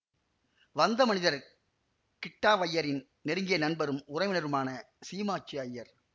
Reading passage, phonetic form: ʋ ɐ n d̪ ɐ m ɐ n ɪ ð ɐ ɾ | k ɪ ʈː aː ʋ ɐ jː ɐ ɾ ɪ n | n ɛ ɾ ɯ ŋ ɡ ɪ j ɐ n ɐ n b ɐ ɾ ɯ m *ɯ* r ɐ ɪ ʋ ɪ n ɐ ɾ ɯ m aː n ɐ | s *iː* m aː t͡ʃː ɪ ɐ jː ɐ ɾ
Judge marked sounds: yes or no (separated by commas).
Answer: no, yes